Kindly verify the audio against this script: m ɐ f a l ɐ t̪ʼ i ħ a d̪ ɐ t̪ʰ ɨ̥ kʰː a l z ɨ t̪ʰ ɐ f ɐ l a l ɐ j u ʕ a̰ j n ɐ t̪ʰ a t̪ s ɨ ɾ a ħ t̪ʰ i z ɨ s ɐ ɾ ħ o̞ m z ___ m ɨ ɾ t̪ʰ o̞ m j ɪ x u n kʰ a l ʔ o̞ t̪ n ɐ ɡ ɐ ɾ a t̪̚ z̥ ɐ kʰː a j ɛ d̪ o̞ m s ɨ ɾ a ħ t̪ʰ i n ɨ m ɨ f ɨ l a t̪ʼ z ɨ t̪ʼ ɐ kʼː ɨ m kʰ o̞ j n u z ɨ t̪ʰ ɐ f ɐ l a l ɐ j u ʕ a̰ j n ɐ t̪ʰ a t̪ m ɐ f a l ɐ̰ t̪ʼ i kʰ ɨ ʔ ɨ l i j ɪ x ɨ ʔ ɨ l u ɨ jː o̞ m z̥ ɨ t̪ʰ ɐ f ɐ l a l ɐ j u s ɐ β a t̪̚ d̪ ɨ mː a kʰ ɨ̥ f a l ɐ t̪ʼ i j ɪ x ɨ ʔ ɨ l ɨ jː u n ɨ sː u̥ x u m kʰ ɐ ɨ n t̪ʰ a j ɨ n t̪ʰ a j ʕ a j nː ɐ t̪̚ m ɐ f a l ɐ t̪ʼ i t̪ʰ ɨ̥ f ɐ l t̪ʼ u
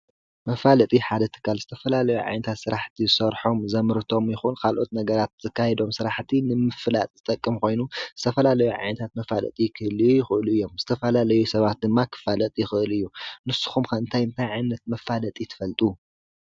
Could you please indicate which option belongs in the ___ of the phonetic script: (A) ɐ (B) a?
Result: A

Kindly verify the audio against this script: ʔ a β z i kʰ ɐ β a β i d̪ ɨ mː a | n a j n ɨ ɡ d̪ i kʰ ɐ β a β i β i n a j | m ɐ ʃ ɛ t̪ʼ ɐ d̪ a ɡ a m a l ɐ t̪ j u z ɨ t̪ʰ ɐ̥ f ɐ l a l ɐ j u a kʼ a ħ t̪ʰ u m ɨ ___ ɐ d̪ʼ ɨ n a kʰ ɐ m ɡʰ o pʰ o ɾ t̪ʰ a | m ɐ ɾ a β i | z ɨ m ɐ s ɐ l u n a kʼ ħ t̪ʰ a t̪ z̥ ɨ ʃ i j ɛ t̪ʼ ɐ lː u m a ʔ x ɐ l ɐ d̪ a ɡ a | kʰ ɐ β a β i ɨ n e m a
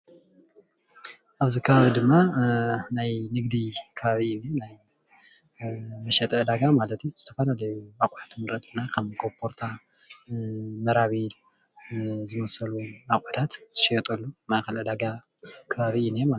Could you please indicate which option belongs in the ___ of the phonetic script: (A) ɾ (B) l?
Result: A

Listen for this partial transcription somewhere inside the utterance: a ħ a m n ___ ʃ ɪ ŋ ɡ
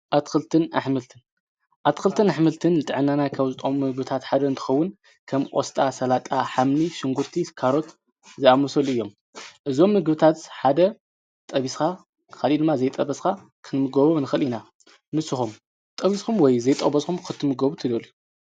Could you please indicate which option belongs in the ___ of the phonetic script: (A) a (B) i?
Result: B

